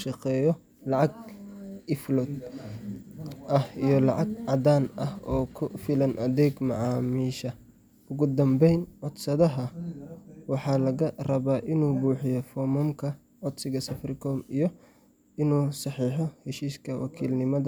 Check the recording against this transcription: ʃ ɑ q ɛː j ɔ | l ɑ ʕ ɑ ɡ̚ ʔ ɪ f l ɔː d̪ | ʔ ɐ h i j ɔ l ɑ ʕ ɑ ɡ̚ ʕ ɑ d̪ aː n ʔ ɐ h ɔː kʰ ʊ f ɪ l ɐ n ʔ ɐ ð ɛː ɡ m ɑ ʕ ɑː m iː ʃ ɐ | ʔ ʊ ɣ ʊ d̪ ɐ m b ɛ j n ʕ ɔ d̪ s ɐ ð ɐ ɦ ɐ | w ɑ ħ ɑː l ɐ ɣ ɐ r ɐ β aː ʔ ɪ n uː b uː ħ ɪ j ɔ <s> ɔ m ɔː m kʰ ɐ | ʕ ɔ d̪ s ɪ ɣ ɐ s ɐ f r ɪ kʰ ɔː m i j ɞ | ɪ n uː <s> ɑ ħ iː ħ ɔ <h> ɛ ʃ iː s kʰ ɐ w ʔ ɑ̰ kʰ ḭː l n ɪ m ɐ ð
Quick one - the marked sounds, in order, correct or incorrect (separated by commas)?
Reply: incorrect, correct, correct